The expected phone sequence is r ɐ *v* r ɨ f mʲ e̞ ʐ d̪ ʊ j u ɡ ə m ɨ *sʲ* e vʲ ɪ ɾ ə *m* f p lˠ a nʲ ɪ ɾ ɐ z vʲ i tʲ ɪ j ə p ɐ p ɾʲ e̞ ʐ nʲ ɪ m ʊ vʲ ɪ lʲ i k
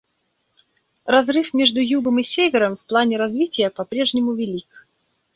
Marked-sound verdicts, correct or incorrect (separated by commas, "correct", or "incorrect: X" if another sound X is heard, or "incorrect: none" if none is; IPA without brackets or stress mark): incorrect: z, correct, correct